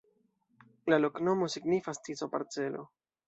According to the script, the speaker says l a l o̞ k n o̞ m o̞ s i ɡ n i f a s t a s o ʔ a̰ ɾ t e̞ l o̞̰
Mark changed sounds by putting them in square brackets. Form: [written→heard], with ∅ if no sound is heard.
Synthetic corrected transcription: l a l o̞ k n o̞ m o̞ s i ɡ n i f a s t [a→i] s o [ʔ→p] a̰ ɾ [t→t͡s] e̞ l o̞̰